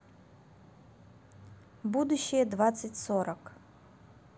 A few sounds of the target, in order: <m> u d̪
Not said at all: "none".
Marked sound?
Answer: b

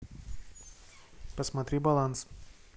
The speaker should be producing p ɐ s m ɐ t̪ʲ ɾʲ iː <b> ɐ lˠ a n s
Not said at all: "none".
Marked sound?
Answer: b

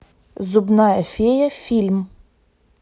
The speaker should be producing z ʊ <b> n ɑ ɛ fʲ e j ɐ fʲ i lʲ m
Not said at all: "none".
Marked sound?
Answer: b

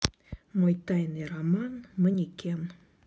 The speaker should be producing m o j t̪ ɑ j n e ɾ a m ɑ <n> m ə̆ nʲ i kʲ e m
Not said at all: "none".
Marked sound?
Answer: n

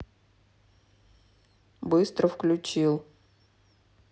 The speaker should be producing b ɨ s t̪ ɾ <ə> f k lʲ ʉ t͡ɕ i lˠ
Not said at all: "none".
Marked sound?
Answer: ə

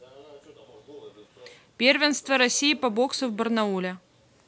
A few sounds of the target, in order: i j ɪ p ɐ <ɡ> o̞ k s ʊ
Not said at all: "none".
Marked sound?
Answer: b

